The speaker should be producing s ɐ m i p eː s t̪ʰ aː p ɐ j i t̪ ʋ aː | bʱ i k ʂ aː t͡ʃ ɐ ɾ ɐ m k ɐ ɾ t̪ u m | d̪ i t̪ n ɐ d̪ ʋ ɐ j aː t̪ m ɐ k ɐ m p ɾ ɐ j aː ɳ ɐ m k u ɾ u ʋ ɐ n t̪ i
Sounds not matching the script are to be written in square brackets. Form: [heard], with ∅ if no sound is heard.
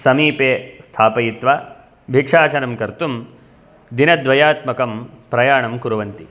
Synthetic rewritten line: s ɐ m [iː] p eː s t̪ʰ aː p ɐ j i t̪ ʋ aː | bʱ i k ʂ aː t͡ʃ ɐ ɾ ɐ m k ɐ ɾ t̪ u m | d̪ i [∅] n ɐ d̪ ʋ ɐ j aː t̪ m ɐ k ɐ m p ɾ ɐ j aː ɳ ɐ m k u ɾ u ʋ ɐ n t̪ i